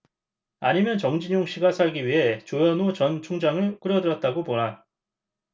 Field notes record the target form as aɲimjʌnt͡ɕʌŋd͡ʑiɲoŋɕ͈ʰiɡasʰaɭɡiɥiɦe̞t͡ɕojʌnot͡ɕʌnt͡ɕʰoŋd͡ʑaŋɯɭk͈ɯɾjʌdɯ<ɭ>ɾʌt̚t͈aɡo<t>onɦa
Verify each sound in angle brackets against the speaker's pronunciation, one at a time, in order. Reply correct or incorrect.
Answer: incorrect: none, incorrect: p

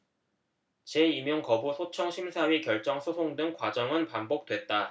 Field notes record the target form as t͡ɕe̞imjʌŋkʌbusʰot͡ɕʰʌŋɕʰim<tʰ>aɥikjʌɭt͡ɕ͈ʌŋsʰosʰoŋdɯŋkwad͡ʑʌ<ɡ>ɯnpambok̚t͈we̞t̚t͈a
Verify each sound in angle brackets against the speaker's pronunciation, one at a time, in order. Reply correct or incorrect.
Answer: incorrect: sʰ, incorrect: ŋ

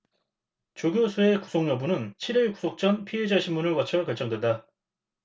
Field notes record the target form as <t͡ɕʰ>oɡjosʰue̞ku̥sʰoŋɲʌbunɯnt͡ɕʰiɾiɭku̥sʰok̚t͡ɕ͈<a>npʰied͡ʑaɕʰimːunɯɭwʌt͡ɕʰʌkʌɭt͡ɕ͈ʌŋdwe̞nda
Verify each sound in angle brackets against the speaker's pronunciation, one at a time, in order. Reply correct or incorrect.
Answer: incorrect: t͡ɕ, incorrect: ʌ

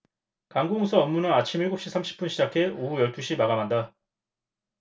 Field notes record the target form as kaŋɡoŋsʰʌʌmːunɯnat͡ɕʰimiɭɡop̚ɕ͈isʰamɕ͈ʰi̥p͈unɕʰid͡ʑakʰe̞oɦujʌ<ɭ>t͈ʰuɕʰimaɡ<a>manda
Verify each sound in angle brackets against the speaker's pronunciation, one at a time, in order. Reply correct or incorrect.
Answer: correct, correct

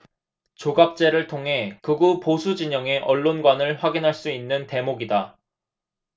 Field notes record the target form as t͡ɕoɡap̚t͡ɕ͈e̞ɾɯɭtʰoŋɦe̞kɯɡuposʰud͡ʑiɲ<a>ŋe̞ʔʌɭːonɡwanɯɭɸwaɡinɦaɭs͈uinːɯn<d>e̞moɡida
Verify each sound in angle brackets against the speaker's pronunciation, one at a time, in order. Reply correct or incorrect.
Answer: incorrect: ʌ, incorrect: t

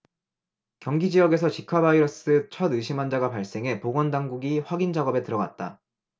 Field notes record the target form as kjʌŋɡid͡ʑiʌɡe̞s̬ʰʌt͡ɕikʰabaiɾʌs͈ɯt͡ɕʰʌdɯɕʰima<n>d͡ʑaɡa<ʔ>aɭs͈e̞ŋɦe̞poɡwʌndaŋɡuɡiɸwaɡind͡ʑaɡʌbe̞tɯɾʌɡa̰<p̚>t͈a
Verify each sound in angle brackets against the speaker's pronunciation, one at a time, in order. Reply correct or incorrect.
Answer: correct, incorrect: p, incorrect: t̚

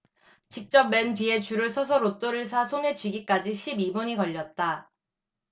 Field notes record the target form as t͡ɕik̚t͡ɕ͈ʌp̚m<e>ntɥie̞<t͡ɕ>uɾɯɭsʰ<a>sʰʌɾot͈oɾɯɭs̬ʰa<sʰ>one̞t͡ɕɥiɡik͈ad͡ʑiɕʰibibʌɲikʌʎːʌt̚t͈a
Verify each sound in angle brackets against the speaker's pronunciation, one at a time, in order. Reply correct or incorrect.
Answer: correct, correct, incorrect: ʌ, correct

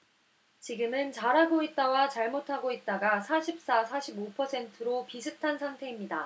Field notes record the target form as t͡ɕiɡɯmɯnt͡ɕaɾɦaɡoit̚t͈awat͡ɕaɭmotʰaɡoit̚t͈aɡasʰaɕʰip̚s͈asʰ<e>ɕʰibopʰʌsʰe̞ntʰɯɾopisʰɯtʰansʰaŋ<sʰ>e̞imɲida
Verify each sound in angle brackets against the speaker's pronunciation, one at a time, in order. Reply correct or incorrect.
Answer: incorrect: a, incorrect: tʰ

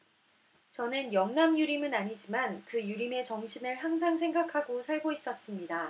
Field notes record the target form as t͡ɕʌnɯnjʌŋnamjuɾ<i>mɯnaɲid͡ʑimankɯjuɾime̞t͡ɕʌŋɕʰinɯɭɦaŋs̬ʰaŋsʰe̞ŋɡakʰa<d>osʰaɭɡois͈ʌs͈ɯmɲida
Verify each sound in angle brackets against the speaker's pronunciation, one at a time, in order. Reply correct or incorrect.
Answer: correct, incorrect: ɡ

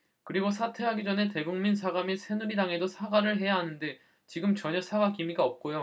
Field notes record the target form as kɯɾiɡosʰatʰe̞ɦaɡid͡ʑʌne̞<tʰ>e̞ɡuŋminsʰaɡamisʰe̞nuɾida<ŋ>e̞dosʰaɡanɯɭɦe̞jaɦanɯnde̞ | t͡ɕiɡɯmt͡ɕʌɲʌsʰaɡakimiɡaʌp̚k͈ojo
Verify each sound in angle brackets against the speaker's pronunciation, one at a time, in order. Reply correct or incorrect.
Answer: incorrect: t, correct

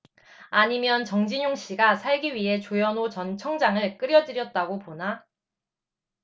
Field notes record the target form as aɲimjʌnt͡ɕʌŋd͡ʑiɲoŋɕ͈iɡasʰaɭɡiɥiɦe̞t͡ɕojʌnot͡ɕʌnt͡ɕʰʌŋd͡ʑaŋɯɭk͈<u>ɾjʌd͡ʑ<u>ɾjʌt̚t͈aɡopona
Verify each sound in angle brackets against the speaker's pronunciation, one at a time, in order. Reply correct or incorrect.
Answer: incorrect: ɯ, incorrect: ɯ

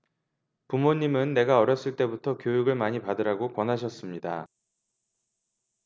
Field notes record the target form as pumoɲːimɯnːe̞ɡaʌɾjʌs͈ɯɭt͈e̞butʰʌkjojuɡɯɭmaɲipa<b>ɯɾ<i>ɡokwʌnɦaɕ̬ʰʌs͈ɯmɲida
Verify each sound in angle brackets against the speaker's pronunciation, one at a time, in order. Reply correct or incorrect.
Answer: incorrect: d, incorrect: a

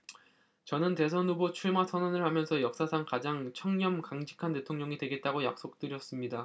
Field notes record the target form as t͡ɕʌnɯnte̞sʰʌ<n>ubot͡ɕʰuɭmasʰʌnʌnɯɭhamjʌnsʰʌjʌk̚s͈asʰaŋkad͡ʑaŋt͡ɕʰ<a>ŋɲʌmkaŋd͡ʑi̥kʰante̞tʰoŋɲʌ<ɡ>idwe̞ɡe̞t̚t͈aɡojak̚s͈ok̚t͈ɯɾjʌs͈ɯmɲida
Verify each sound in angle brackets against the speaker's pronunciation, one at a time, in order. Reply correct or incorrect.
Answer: correct, incorrect: ʌ, incorrect: ŋ

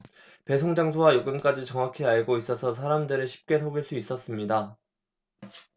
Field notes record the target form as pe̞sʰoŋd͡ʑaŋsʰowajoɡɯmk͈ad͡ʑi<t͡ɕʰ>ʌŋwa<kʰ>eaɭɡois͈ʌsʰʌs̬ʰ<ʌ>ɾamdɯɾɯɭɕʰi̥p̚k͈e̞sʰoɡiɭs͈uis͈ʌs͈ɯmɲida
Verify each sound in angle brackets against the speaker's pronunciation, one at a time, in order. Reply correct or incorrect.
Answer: incorrect: t͡ɕ, correct, incorrect: a

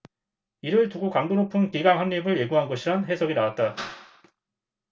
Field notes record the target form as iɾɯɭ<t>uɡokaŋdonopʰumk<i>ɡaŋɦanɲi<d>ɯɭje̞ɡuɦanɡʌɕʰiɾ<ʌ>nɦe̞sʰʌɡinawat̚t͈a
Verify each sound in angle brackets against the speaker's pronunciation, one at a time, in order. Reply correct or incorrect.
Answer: correct, correct, incorrect: b, incorrect: a

